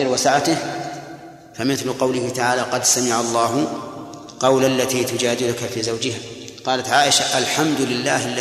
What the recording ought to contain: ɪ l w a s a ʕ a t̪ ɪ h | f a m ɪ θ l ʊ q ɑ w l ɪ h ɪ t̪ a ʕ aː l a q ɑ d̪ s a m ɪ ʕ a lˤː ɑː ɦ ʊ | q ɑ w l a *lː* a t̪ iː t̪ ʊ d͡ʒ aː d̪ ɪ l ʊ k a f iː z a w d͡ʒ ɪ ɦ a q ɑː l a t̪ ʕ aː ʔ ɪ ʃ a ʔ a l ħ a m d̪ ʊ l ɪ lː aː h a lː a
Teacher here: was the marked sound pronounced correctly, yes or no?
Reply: yes